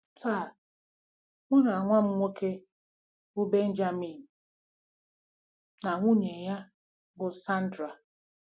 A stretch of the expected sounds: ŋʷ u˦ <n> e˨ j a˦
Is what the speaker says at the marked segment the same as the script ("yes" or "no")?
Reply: no